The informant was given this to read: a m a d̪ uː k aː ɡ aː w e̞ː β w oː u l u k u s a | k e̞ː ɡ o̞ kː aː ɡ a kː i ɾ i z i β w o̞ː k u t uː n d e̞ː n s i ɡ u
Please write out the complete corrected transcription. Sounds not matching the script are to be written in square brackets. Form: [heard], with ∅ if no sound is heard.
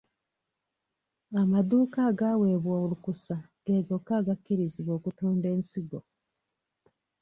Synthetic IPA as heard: a m a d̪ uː k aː ɡ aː w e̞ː β w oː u l u k u s a | [ɡ] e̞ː ɡ o̞ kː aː ɡ a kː i ɾ i z i β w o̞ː k u t uː n d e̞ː n s i ɡ [o]